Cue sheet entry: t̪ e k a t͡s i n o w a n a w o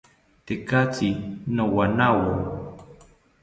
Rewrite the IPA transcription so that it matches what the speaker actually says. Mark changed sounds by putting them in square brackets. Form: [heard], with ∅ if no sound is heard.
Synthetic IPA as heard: t̪ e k a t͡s i n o w a n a w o

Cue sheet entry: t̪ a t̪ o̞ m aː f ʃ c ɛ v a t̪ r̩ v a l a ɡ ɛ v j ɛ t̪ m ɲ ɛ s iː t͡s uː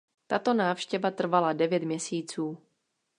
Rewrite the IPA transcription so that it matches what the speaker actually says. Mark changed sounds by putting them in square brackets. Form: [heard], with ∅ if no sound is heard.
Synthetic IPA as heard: t̪ a t̪ o̞ [n] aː f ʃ c ɛ v a t̪ r̩ v a l a [d] ɛ v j ɛ t̪ m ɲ ɛ s iː t͡s uː

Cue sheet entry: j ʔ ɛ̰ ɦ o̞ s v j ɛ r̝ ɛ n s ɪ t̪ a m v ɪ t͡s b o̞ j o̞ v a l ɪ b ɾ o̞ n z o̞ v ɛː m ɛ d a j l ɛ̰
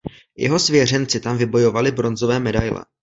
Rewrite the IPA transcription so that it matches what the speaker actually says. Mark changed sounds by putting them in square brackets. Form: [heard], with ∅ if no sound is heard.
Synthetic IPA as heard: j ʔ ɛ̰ ɦ o̞ s v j ɛ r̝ ɛ n [t͡s] ɪ t̪ a m v ɪ [∅] b o̞ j o̞ v a l ɪ b ɾ o̞ n z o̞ v ɛː m ɛ d a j l ɛ̰

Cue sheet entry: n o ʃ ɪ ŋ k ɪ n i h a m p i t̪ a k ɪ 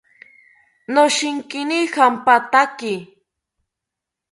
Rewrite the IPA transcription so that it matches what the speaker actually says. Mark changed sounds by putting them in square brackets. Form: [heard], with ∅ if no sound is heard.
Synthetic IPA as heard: n o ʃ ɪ ŋ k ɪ n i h a m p [a] t̪ a k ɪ

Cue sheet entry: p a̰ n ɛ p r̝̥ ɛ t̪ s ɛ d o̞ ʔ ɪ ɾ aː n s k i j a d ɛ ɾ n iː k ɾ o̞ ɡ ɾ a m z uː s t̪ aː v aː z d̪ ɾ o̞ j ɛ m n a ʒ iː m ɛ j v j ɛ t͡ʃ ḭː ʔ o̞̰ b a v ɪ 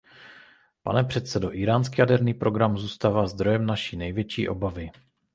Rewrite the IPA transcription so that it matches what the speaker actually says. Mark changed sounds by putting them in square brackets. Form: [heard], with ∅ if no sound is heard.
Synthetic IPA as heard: p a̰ n ɛ p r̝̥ ɛ t̪ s ɛ d o̞ ʔ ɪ ɾ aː n s k i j a d ɛ ɾ n iː [p] ɾ o̞ ɡ ɾ a m z uː s t̪ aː v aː z d̪ ɾ o̞ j ɛ m n a [ʃ] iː [n] ɛ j v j ɛ t͡ʃ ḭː ʔ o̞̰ b a v ɪ

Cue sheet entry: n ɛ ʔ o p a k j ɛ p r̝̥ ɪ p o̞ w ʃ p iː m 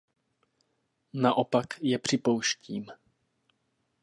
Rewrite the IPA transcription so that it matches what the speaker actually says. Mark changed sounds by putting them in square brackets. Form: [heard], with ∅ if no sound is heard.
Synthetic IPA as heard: n [a] ʔ o p a k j ɛ p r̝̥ ɪ p o̞ w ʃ [c] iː m

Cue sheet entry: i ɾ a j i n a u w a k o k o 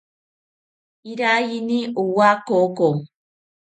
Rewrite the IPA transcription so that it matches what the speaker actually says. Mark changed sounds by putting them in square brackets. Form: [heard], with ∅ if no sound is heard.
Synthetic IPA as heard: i ɾ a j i n [i] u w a k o k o

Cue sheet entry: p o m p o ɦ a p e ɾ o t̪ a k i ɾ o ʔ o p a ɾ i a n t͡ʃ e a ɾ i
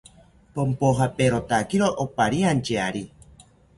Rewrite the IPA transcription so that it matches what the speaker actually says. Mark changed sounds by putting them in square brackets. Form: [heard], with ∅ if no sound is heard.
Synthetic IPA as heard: p o m p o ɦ a p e ɾ o t̪ a k i ɾ o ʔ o p a ɾ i a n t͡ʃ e a ɾ i

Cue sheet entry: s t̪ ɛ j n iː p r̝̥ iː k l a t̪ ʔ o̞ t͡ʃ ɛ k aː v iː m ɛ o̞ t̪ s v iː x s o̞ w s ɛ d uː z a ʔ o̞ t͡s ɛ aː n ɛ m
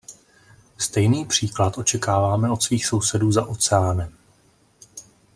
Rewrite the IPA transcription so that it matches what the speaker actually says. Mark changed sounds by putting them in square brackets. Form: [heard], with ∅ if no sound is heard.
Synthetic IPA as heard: s t̪ ɛ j n iː p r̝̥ iː k l a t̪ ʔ o̞ t͡ʃ ɛ k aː v [aː] m ɛ o̞ t̪ s v iː x s o̞ w s ɛ d uː z a ʔ o̞ t͡s ɛ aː n ɛ m

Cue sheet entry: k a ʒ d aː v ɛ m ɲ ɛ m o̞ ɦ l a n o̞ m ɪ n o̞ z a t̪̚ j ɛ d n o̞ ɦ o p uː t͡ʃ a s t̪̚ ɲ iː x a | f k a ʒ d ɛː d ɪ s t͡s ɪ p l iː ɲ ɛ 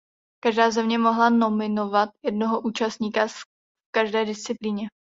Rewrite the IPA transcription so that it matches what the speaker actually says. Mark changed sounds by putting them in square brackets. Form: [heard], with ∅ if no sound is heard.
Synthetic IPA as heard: k a ʒ d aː [z] ɛ m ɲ ɛ m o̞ ɦ l a n o̞ m ɪ n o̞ [v] a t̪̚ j ɛ d n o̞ ɦ o [ʔ] uː t͡ʃ a s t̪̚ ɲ iː [k] a | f k a ʒ d ɛː d ɪ s t͡s ɪ p l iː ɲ ɛ

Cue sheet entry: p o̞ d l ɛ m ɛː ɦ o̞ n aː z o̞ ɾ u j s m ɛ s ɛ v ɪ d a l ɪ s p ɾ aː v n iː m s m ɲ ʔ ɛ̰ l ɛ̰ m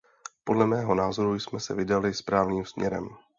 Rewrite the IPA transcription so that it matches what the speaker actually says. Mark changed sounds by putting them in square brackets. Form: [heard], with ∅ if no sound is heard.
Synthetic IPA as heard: p o̞ d l ɛ m ɛː ɦ o̞ n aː z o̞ ɾ u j s m ɛ s ɛ v ɪ d a l ɪ s p ɾ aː v n iː m s m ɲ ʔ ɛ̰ [ɾ] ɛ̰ m

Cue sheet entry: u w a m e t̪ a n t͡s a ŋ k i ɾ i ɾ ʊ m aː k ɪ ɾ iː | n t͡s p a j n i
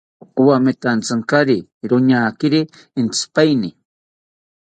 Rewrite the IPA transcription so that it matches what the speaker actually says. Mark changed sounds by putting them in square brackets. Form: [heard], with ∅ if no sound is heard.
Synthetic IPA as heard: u w a m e t̪ a n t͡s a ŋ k [a] ɾ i ɾ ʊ [ɲ] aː k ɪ ɾ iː | n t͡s p a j n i

